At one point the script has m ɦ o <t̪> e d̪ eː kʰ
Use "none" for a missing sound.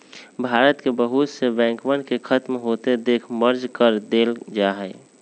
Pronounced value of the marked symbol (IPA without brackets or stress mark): t̪